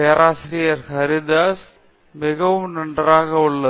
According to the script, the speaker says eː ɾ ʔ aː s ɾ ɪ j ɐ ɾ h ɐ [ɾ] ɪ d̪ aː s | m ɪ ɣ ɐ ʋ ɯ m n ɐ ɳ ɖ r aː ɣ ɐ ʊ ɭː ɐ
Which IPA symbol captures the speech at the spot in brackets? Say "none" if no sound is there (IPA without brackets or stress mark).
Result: ɾ